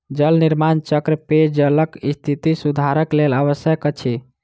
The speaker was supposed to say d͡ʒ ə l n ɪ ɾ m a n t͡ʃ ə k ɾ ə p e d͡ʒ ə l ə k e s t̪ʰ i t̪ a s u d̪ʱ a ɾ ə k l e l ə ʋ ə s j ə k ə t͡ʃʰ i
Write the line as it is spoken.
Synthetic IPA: d͡ʒ ə l n i ɾ m a n t͡ʃ ə k ɾ ə p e d͡ʒ ə l ə k i s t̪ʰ i t̪ i s u d̪ʱ a ɾ ə k l e l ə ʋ ə s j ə k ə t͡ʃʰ i